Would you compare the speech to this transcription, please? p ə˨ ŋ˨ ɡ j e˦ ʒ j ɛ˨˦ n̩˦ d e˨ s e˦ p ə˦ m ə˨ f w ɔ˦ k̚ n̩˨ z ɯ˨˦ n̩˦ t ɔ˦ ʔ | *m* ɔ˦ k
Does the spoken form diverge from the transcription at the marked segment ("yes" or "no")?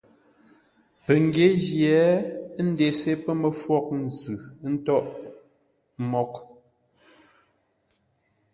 no